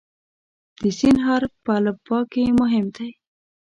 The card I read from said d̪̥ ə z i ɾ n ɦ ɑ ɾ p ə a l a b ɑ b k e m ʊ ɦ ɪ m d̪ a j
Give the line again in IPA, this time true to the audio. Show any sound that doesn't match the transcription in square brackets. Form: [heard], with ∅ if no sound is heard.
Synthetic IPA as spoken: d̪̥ ə [s] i [∅] n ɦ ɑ ɾ p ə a l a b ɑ [∅] k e m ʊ ɦ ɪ m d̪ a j

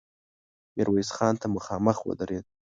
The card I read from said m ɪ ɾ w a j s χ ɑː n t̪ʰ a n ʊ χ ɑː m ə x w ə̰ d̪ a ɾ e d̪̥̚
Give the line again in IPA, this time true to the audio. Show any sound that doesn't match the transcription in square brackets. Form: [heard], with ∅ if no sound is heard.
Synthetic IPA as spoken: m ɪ ɾ w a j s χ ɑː n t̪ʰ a [m] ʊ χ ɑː m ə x w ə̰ d̪ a ɾ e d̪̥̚

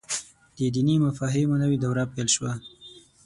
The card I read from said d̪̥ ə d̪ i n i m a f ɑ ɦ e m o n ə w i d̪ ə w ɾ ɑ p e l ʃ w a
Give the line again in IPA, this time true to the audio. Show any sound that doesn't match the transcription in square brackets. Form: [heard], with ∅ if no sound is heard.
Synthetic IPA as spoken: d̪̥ ə d̪ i n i m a f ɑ ɦ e m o n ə w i d̪ [a] w ɾ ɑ p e l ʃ w a

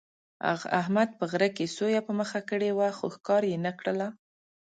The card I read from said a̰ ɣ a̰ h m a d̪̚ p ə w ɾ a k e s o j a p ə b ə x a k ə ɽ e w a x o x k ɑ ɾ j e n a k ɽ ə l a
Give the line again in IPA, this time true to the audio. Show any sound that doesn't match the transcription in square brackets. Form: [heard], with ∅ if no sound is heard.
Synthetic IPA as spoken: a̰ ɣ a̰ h m a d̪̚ p ə [ɣ] ɾ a k e s o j a p ə [m] ə x a k ə ɽ e w a x o x k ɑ ɾ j e n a k ɽ ə l a

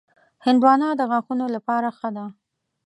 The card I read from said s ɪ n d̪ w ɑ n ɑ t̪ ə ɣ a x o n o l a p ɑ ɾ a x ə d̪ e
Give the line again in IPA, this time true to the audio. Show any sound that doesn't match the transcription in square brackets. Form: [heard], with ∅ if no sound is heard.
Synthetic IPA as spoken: [h] ɪ n d̪ w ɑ n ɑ [d̪] ə ɣ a x [u] n o l a p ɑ ɾ a x ə d̪ [a]

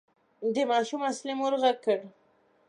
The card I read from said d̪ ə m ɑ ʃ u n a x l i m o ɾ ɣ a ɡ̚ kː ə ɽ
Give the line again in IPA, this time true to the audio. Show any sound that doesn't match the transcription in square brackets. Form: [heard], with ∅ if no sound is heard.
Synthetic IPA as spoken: d̪ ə m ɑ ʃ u [m] a [s] l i m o ɾ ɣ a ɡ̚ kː ə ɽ

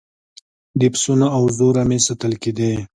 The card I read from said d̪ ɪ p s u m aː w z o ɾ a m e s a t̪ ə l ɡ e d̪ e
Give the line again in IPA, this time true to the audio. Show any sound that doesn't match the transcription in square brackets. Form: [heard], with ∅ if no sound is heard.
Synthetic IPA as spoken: d̪ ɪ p s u [n] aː w z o ɾ a m e s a t̪ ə l [k] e d̪ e

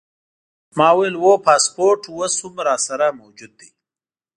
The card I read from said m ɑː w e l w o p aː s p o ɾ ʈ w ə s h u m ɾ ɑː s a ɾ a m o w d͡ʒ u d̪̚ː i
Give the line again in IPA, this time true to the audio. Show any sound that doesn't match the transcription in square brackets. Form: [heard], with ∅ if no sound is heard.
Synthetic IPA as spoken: m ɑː w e l w o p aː s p o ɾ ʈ w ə s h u m ɾ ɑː s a ɾ a m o w d͡ʒ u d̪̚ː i

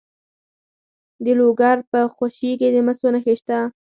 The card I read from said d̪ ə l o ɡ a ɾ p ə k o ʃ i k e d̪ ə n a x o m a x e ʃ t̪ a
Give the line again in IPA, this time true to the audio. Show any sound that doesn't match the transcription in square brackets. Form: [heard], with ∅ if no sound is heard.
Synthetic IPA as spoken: d̪ ə l o ɡ a ɾ p ə [x] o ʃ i k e d̪ ə [m] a [s] o [n] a x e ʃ t̪ a

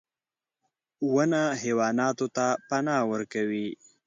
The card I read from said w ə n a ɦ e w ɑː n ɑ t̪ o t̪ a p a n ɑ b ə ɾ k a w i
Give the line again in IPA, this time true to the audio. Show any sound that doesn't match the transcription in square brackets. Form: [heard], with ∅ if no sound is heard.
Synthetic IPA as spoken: w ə n a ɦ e w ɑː n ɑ t̪ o t̪ a p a n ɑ [w] ə ɾ k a w i

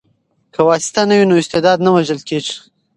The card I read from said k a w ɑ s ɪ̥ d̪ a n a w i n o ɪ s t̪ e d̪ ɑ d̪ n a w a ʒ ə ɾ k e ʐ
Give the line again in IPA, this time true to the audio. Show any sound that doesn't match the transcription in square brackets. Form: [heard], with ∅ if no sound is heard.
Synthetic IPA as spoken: k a w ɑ s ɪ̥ [t̪] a n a w i n o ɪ s t̪ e d̪ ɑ d̪ n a w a ʒ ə [l] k e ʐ

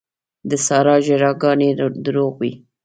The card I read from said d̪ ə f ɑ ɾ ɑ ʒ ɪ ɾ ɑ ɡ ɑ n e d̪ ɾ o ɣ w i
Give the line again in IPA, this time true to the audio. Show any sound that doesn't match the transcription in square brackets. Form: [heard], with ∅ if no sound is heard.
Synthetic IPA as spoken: d̪ ə [s] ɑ ɾ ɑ ʒ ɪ ɾ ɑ ɡ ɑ n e d̪ ɾ o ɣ w i

